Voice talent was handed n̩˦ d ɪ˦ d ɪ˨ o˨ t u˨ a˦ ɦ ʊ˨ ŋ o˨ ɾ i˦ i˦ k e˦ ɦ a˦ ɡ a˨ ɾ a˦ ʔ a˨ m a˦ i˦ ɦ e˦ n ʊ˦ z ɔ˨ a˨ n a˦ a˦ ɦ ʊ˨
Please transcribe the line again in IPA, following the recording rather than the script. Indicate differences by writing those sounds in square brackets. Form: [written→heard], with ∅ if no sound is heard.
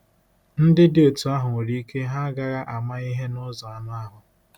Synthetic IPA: n̩˦ d ɪ˦ d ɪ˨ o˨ t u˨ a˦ ɦ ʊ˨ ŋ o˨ ɾ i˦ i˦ k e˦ ɦ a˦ ɡ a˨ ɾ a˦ ʔ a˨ m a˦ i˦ ɦ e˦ n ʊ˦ z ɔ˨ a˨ n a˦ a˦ ɦ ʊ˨